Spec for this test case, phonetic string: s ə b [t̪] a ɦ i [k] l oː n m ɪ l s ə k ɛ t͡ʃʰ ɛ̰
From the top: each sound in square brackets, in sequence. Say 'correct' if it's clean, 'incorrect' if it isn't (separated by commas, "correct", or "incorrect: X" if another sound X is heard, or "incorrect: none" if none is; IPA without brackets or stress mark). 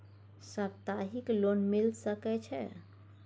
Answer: correct, correct